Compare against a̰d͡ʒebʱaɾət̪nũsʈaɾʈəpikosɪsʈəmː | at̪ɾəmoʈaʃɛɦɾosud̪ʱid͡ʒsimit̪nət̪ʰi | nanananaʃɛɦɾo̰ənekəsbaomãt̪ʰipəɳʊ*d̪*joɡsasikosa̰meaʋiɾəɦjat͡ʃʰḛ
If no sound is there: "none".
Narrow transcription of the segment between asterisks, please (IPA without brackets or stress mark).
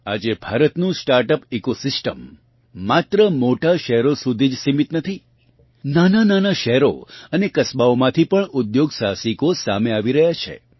d̪